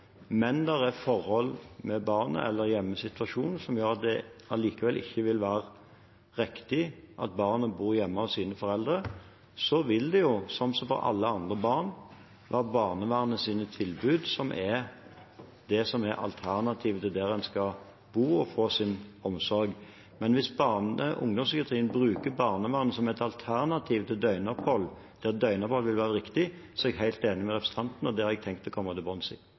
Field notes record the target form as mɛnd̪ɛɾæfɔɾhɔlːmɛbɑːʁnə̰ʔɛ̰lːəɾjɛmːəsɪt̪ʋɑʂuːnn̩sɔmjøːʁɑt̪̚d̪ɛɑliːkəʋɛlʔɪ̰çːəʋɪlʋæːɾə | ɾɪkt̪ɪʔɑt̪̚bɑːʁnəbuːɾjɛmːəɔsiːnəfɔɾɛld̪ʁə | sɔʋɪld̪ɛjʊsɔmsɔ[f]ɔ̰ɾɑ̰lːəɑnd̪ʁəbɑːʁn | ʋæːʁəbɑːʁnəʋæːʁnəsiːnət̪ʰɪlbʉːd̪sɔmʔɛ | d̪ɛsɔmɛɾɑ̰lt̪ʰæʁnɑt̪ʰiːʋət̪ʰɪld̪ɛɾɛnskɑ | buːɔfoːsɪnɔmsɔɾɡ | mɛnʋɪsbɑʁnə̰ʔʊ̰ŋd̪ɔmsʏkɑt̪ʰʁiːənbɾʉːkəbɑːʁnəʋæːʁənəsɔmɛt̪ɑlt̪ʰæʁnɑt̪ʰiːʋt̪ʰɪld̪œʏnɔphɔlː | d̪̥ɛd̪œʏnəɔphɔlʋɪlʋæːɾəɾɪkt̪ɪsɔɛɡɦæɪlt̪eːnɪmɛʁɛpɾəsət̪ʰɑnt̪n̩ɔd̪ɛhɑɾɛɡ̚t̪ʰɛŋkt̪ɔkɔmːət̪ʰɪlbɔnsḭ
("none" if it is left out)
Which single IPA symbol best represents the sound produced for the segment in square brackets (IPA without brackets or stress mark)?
f